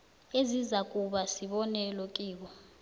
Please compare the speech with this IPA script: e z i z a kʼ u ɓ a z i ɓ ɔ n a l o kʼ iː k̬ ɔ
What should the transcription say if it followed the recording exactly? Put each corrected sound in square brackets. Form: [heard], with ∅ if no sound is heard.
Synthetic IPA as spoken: e z i z a kʼ u ɓ a [s] i ɓ ɔ n [ɛ] l o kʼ iː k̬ ɔ